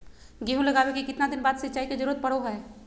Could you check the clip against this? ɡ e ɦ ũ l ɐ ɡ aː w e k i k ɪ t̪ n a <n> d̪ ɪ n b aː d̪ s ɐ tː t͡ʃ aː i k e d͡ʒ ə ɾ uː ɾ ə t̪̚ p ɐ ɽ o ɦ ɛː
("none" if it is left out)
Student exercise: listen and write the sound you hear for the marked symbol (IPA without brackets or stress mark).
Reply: none